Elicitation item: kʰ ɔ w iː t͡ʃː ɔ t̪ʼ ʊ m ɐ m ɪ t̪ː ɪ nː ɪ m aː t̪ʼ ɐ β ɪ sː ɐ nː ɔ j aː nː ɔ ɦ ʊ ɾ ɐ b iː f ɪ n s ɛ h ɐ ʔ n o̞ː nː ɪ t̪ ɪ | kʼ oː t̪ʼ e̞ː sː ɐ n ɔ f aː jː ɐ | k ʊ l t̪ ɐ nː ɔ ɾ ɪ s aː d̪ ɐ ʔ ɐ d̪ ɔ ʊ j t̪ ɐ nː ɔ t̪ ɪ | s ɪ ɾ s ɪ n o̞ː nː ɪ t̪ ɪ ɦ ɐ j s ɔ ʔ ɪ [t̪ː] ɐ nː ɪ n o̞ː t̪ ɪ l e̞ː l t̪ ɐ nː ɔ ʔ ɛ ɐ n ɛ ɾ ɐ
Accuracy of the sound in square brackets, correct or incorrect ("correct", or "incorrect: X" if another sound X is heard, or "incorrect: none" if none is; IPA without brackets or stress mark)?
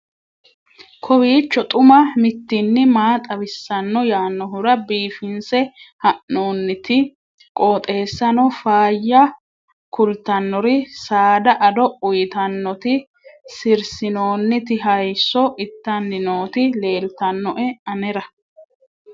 correct